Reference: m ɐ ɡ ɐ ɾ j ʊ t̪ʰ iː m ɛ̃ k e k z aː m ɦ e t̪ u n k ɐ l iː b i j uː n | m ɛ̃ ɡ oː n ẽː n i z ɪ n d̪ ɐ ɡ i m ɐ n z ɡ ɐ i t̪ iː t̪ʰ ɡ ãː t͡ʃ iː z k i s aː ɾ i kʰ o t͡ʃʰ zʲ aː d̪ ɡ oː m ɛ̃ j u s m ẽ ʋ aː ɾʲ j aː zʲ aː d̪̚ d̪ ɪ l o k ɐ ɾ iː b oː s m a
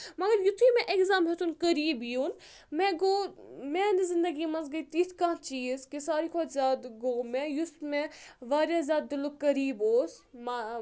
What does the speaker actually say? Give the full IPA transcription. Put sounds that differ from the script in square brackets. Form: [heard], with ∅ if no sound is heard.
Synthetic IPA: m ɐ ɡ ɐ ɾ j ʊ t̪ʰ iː m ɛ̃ [ʔ] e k z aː m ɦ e t̪ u n k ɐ [ɾ] iː b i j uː n | m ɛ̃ ɡ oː [m] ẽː n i z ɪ n d̪ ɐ ɡ i m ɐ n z ɡ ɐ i t̪ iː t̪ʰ [k] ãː t͡ʃ iː z k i s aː ɾ i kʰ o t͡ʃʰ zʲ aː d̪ ɡ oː m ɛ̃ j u s m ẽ ʋ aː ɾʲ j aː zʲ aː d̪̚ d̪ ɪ l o k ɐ ɾ iː b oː s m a